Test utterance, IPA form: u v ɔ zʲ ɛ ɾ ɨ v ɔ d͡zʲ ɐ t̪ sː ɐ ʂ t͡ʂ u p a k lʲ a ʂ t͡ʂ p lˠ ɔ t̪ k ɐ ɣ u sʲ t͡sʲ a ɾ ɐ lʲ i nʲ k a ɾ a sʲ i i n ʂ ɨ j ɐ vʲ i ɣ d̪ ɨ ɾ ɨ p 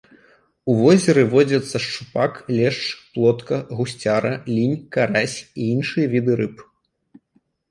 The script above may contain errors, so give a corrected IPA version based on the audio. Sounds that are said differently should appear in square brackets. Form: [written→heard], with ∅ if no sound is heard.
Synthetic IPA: u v ɔ zʲ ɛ ɾ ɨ v ɔ d͡zʲ ɐ t̪ sː ɐ ʂ t͡ʂ u p a k lʲ [a→ɛ] ʂ t͡ʂ p lˠ ɔ t̪ k ɐ ɣ u sʲ t͡sʲ a ɾ ɐ lʲ i nʲ k a ɾ a sʲ i i n ʂ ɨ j ɐ vʲ i [ɣ→∅] d̪ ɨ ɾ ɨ p